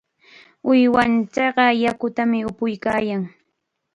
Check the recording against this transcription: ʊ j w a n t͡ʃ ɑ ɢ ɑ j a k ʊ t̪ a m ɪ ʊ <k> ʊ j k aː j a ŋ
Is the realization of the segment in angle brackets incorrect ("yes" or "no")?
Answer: yes